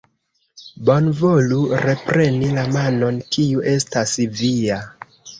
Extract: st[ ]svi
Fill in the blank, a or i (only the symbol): a